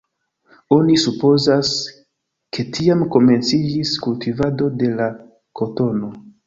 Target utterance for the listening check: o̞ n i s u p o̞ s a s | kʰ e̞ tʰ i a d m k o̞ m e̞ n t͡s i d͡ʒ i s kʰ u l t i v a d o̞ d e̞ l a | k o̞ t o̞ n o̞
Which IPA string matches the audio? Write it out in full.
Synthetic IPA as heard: o̞ n i s u p o̞ z a s | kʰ e̞ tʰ i a m k o̞ m e̞ n t͡s i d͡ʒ i s k u l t i v a d o̞ d e̞ l a | k o̞ t o̞ n o̞